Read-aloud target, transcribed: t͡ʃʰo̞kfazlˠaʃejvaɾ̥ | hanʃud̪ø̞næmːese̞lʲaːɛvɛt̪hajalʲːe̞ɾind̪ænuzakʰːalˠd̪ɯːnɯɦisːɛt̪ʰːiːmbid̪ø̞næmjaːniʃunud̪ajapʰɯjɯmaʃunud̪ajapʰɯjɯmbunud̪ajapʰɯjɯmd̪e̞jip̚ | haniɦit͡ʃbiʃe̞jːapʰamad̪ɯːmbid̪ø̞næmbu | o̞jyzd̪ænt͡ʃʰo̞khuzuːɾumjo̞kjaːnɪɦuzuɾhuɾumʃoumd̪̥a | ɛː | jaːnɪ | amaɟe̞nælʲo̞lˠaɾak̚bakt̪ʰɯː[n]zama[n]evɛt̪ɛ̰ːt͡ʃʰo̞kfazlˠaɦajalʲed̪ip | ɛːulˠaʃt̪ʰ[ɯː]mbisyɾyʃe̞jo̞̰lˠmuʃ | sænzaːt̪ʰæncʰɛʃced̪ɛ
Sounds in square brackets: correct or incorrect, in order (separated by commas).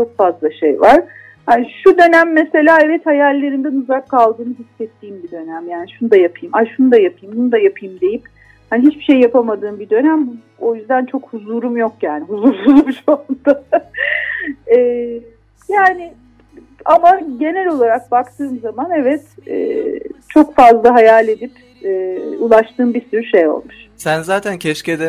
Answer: incorrect, correct, correct